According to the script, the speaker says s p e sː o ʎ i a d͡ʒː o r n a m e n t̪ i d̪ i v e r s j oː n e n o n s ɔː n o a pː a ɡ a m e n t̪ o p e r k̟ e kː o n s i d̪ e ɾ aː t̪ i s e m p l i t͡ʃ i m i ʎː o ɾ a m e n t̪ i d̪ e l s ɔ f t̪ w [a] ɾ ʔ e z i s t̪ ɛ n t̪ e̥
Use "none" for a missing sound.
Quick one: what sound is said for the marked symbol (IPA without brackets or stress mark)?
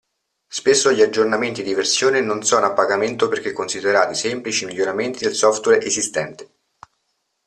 ɛ